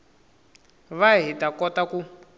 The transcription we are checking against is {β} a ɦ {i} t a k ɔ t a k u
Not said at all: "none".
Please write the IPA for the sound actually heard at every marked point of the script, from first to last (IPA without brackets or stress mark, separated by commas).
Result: β, i